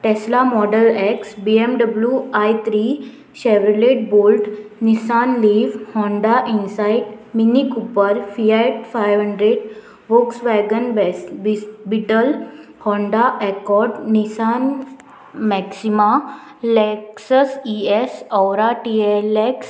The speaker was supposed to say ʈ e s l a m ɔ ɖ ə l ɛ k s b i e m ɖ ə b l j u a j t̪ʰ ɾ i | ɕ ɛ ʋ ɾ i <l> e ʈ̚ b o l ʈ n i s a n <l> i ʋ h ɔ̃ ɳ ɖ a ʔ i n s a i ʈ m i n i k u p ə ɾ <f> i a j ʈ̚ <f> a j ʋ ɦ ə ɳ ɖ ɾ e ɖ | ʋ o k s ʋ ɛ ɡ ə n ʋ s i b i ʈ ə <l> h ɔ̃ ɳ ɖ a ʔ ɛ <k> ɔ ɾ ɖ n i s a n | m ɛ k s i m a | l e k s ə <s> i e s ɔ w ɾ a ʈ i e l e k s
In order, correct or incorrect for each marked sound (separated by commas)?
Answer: correct, correct, correct, correct, correct, correct, correct